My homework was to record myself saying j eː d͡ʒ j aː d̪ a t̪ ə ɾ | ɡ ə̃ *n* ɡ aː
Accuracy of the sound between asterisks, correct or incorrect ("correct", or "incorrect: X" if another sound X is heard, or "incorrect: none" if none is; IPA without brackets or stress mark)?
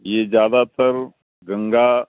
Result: incorrect: ŋ